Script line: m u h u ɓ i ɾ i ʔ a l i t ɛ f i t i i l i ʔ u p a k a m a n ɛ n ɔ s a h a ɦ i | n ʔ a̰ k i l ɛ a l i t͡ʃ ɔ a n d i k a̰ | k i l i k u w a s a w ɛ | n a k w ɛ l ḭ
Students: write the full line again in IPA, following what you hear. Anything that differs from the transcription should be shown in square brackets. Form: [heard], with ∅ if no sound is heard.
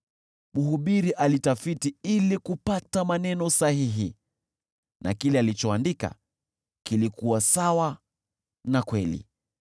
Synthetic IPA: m u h u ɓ i ɾ i ʔ a l i t [a] f i t i i l i [k] u p a [t] a m a n ɛ n ɔ s a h [i] ɦ i | n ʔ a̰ k i l ɛ a l i t͡ʃ ɔ a n d i k a̰ | k i l i k u w a s a w [a] | n a k w ɛ l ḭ